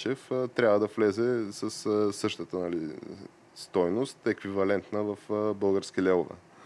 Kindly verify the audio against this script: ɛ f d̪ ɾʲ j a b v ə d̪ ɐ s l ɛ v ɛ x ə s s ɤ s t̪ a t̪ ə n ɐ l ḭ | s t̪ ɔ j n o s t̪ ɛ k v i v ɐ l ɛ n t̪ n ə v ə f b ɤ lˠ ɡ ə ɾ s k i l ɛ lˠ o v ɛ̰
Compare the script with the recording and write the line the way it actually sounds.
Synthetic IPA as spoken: ɛ f t̪ ɾʲ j a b v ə d̪ ɐ f l ɛ z ɛ s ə s s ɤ ʃ t̪ ə t̪ ə n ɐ l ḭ | s t̪ ɔ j n o s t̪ ɛ k v i v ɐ l ɛ n t̪ n ə v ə f b ɤ lˠ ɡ ə ɾ s k i l ɛ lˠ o v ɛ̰